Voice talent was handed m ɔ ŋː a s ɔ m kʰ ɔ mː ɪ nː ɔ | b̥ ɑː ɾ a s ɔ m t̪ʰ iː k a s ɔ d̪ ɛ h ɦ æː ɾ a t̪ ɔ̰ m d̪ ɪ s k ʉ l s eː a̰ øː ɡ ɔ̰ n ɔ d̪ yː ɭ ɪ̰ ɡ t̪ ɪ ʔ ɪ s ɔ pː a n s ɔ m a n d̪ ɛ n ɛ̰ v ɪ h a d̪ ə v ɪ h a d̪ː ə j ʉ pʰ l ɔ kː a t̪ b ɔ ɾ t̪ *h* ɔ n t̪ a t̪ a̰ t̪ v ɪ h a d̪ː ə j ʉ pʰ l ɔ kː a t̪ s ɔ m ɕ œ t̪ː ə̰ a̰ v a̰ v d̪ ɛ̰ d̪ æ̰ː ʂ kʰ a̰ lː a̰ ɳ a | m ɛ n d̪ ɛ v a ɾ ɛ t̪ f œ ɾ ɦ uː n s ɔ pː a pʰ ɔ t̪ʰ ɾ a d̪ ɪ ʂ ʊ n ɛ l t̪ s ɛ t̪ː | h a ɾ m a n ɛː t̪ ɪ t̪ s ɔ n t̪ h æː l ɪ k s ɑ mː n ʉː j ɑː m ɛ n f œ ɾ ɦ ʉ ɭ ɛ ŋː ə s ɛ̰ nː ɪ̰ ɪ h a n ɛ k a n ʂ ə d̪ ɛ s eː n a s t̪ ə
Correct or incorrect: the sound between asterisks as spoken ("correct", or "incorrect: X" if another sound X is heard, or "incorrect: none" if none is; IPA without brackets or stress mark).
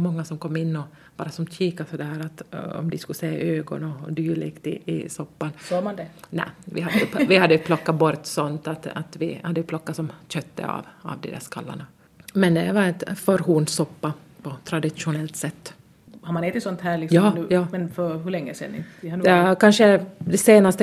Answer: incorrect: s